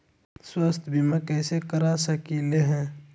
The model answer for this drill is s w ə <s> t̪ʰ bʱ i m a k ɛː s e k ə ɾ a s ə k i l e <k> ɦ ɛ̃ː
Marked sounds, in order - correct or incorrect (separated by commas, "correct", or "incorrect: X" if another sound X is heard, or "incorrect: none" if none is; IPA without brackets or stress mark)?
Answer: correct, incorrect: none